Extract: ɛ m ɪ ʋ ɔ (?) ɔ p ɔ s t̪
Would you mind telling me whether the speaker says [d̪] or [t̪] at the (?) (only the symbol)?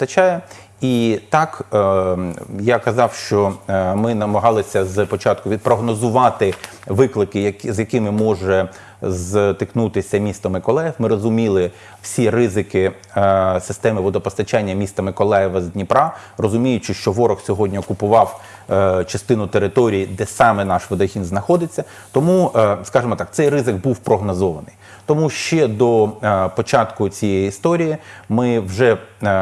d̪